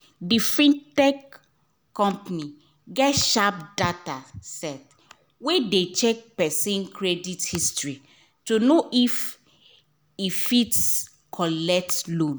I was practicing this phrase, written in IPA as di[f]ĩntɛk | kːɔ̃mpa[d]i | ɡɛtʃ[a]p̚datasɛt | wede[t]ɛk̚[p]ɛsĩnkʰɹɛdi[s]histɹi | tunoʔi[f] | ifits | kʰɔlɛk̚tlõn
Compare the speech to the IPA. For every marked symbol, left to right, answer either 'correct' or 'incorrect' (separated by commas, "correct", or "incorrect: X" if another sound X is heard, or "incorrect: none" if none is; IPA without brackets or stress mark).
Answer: correct, incorrect: n, correct, incorrect: t͡ʃ, correct, incorrect: t, correct